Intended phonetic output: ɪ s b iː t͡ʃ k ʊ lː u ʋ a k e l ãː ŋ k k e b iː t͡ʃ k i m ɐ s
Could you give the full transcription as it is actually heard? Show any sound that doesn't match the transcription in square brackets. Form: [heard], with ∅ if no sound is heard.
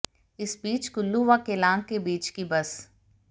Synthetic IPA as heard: ɪ s b iː t͡ʃ k ʊ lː u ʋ a k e l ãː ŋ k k e b iː t͡ʃ k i [b] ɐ s